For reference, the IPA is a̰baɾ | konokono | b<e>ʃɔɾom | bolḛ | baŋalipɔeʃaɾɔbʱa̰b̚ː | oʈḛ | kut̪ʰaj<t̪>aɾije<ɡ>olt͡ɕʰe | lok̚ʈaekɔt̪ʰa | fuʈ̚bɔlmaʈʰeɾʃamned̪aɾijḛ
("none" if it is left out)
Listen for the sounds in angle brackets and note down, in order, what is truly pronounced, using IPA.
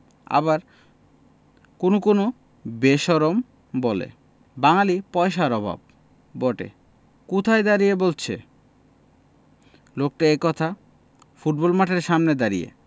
e, d̪, b

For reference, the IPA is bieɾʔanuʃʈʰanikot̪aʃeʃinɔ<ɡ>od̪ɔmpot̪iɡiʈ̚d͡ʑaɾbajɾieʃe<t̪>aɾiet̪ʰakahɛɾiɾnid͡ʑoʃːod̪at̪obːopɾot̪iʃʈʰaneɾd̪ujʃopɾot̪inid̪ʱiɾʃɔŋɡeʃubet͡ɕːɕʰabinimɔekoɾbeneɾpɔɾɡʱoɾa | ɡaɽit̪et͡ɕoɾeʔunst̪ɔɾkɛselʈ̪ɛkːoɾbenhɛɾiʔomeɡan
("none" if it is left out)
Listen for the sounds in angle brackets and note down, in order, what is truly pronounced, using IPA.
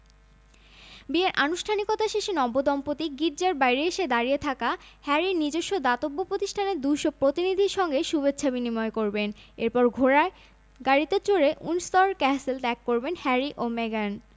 b, d̪

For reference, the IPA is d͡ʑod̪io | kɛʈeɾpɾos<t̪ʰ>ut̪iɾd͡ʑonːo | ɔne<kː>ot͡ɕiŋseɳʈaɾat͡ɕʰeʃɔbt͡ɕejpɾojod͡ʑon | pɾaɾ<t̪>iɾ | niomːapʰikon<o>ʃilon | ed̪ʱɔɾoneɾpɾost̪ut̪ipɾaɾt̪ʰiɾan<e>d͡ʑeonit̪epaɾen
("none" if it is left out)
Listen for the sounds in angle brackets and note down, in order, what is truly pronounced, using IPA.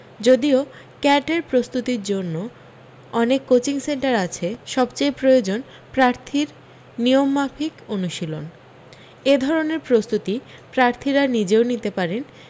t̪, kː, t̪ʰ, u, i

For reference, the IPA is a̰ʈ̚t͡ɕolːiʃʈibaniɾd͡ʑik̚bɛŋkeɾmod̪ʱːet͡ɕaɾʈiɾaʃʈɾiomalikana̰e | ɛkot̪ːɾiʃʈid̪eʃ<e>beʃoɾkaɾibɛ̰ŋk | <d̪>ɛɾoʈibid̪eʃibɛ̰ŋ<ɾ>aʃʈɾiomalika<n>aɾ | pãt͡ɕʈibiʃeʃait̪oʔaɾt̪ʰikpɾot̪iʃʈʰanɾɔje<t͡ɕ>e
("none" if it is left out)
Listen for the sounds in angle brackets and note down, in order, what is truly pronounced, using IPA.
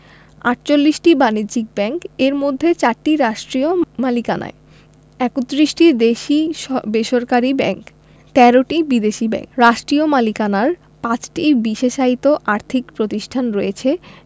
i, t̪, ɾ, n, t͡ɕʰ

